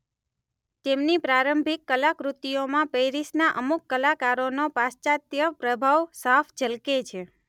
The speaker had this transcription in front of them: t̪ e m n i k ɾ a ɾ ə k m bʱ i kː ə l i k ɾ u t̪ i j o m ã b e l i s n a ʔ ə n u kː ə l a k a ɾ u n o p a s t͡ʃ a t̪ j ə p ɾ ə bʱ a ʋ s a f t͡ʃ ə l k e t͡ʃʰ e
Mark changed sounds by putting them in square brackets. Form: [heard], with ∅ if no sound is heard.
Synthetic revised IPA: t̪ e m n i [p] ɾ a ɾ ə [∅] m bʱ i kː ə l [a] k ɾ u t̪ i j o m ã [p] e [ɾ] i s n a ʔ ə [m] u kː ə l a k a ɾ [o] n o p a s t͡ʃ a t̪ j ə p ɾ ə bʱ a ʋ s a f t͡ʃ ə l k e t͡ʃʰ e

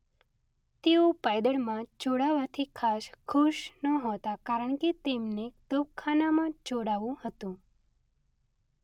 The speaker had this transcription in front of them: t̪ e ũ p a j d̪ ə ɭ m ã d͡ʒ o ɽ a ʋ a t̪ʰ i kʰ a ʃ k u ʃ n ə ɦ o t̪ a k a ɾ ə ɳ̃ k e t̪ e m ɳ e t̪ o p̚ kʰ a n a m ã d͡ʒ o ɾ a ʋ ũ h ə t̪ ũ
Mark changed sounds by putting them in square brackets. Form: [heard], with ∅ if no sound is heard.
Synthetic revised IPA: t̪ e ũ p a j d̪ ə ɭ m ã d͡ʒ o ɽ a ʋ a t̪ʰ i kʰ a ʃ [kʰ] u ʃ n ə ɦ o t̪ a k a ɾ ə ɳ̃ k e t̪ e m [n] e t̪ o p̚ kʰ a n a m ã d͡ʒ o [ɽ] a ʋ ũ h ə t̪ ũ

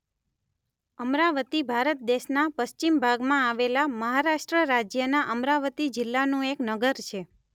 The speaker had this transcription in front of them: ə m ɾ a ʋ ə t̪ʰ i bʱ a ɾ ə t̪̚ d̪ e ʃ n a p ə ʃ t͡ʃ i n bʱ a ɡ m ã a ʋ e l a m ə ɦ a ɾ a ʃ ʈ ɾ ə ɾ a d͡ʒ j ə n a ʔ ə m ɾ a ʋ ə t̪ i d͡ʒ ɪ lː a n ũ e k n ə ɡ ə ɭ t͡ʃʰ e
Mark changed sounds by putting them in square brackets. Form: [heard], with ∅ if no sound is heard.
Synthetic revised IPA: ə m ɾ a ʋ ə [t̪] i bʱ a ɾ ə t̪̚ d̪ e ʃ n a p ə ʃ t͡ʃ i [m] bʱ a ɡ m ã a ʋ e l a m ə ɦ a ɾ a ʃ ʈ ɾ ə ɾ a d͡ʒ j ə n a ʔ ə m ɾ a ʋ ə t̪ i d͡ʒ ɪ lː a n ũ e k n ə ɡ ə [ɾ] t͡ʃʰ e

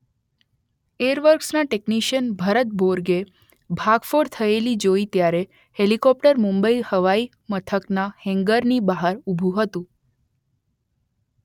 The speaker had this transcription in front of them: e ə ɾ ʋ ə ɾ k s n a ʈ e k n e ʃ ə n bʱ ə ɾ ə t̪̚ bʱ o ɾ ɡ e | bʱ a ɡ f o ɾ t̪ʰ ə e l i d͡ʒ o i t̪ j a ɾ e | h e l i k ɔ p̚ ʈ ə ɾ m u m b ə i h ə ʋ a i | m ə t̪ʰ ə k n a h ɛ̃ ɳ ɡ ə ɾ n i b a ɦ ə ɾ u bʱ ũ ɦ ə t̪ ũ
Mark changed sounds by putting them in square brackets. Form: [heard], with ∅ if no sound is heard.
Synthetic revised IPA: e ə ɾ ʋ ə ɾ k s n a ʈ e k n [i] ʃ ə n bʱ ə ɾ ə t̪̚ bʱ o ɾ ɡ e | bʱ a ɡ f o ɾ t̪ʰ ə e l i d͡ʒ o i t̪ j a ɾ e | h e l i k ɔ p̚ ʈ ə ɾ m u m b ə i h ə ʋ a i | m ə t̪ʰ ə k n a h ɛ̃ [ŋ] ɡ ə ɾ n i b a ɦ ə ɾ u bʱ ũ ɦ ə t̪ ũ

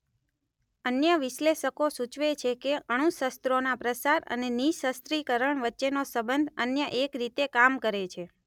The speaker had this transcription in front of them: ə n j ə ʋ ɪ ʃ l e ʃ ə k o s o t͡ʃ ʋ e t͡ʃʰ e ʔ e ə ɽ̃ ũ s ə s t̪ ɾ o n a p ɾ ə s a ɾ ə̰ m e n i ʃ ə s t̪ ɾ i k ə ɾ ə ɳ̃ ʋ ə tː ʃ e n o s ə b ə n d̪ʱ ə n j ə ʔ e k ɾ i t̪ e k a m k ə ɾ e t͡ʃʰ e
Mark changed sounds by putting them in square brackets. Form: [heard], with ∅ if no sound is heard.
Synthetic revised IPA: ə n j ə ʋ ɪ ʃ l e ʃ ə k o s [u] t͡ʃ ʋ e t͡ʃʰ e [k] e ə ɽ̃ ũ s ə s t̪ ɾ o n a p ɾ ə s a ɾ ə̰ [n] e n i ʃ ə s t̪ ɾ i k ə ɾ ə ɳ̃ ʋ ə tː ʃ e n o s ə b ə n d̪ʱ ə n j ə ʔ e k ɾ i t̪ e k a m k ə ɾ e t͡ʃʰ e

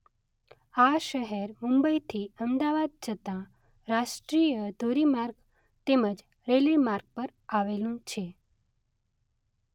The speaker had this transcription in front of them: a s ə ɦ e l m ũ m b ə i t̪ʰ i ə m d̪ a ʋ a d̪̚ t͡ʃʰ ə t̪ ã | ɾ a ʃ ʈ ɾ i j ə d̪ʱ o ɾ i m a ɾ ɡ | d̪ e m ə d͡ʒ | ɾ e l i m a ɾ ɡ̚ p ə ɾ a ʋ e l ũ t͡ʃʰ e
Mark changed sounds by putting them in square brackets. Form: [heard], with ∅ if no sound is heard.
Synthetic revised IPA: a [ʃ] ə ɦ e [ɾ] m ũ m b ə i t̪ʰ i ə m d̪ a ʋ a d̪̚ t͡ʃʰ ə t̪ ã | ɾ a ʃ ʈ ɾ i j ə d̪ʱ o ɾ i m a ɾ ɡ | [t̪] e m ə d͡ʒ | ɾ e l i m a ɾ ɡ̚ p ə ɾ a ʋ e l ũ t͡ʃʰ e

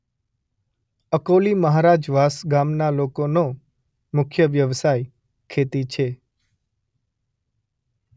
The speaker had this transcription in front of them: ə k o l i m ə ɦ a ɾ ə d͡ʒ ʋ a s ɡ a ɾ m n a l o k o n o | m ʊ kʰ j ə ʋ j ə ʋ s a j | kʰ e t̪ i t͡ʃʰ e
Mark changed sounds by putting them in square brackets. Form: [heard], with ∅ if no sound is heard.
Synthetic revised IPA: ə k o l i m ə ɦ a ɾ [a] d͡ʒ ʋ a s ɡ a [∅] m n a l o k o n o | m ʊ kʰ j ə ʋ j ə ʋ s a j | kʰ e t̪ i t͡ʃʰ e

